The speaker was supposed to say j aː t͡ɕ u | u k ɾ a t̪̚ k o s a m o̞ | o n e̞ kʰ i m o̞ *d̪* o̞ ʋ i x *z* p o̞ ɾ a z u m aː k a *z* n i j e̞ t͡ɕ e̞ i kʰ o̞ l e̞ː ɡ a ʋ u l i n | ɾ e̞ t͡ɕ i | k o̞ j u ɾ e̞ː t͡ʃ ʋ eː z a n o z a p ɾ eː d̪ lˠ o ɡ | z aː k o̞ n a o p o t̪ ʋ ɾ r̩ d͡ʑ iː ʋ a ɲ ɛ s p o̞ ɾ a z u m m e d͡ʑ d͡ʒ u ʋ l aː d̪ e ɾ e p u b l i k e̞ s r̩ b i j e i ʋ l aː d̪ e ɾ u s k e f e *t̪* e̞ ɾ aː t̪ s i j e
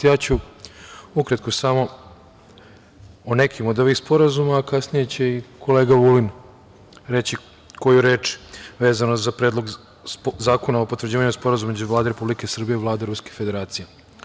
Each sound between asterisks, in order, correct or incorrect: correct, incorrect, incorrect, incorrect

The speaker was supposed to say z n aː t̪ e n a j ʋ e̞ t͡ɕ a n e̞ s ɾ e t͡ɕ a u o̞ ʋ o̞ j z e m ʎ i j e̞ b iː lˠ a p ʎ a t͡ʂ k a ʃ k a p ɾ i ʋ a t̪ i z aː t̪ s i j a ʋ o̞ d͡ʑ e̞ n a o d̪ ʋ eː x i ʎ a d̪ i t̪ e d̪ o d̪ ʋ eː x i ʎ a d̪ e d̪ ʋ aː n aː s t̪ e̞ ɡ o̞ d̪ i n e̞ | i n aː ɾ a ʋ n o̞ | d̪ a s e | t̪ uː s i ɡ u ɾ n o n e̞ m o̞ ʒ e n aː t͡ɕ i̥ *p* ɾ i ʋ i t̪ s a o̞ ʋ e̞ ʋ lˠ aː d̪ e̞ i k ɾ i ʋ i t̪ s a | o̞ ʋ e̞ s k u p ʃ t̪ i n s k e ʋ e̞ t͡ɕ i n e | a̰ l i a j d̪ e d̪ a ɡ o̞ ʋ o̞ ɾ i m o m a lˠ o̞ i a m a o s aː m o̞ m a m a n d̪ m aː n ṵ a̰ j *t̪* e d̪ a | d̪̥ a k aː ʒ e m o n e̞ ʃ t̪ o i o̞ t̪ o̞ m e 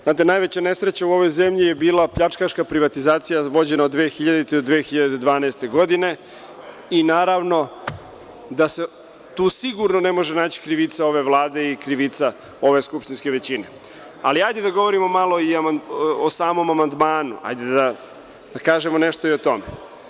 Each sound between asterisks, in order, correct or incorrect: incorrect, incorrect

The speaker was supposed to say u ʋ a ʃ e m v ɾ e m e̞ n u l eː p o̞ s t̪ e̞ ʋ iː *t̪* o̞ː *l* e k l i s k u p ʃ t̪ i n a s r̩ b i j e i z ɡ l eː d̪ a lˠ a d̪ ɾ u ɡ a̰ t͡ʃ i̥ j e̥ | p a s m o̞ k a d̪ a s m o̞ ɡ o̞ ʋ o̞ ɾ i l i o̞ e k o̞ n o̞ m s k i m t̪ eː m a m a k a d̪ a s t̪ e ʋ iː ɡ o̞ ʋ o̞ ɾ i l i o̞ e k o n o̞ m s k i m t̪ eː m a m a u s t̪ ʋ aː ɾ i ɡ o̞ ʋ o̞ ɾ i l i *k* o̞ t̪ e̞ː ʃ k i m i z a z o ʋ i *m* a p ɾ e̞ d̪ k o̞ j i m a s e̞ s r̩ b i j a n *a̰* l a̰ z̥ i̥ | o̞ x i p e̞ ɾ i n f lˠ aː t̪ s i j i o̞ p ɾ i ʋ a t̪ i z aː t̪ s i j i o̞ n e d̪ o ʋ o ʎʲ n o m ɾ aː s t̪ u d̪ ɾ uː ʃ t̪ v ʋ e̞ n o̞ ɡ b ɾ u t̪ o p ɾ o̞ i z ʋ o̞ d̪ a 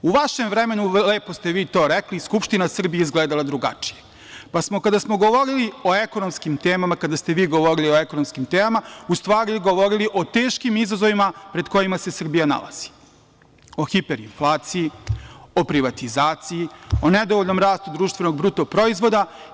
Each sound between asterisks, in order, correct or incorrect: correct, incorrect, incorrect, correct, correct

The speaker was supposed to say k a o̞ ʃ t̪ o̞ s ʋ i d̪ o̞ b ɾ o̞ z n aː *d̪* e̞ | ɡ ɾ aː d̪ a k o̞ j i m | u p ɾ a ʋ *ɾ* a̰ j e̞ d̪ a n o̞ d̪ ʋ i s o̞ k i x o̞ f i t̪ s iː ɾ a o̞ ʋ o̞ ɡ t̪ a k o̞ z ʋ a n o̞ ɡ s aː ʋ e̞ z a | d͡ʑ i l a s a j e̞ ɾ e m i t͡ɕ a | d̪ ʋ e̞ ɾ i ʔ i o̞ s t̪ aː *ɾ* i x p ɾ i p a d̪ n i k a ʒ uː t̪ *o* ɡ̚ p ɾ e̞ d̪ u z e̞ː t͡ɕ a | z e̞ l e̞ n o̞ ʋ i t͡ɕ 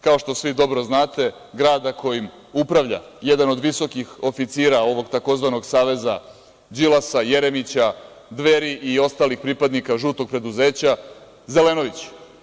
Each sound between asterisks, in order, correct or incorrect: incorrect, incorrect, incorrect, correct

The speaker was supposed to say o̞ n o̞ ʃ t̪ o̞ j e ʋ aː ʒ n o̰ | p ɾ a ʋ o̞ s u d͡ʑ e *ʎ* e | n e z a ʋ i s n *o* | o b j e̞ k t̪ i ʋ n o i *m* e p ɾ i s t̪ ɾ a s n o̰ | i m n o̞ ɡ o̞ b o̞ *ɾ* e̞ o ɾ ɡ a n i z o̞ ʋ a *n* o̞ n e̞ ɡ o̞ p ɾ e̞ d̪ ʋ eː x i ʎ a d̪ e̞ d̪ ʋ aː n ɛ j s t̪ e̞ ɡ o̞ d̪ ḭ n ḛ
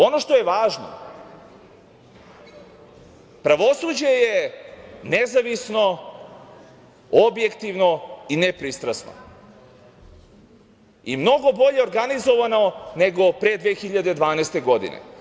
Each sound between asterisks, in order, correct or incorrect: incorrect, correct, incorrect, incorrect, correct

